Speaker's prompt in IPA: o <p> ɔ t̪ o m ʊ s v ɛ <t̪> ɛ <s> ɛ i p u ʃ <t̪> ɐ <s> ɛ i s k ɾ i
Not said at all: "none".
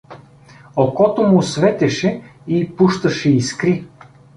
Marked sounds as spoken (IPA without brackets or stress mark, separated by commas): k, t̪, ʃ, t̪, ʃ